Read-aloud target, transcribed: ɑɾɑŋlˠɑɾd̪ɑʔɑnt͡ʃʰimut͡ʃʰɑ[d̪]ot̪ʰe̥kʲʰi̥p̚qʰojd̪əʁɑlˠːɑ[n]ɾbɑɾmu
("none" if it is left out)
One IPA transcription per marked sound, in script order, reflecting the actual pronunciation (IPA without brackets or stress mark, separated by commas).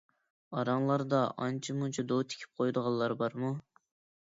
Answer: d̪, none